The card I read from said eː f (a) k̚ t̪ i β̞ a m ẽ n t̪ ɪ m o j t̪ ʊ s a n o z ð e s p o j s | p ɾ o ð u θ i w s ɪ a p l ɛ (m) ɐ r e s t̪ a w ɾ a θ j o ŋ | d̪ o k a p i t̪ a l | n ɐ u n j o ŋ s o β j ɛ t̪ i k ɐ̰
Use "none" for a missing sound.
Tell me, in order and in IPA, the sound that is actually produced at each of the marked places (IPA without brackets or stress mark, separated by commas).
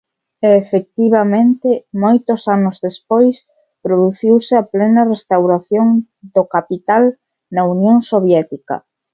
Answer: e, n